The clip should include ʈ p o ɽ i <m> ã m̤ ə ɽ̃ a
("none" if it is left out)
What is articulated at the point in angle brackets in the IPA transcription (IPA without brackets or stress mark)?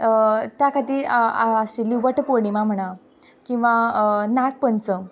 m